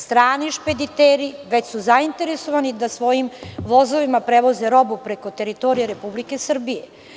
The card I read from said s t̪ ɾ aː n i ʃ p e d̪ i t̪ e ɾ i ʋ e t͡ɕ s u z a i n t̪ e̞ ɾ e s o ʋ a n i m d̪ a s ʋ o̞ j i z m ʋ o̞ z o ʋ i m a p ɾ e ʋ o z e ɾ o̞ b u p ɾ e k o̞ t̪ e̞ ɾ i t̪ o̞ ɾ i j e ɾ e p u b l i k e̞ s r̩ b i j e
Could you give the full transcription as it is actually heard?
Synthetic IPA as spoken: s t̪ ɾ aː n i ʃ p e d̪ i t̪ e ɾ i ʋ e t͡ɕ s u z a i n t̪ e̞ ɾ e s o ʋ a n i d̪ a s ʋ o̞ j i m ʋ o̞ z o ʋ i m a p ɾ e ʋ o z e ɾ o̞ b u p ɾ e k o̞ t̪ e̞ ɾ i t̪ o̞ ɾ i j e ɾ e p u b l i k e̞ s r̩ b i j e